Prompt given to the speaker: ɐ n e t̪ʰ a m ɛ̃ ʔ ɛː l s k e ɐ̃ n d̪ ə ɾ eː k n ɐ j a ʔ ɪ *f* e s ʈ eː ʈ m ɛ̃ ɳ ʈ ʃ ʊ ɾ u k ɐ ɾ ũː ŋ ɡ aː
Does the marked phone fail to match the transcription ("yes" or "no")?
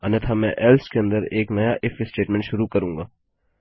no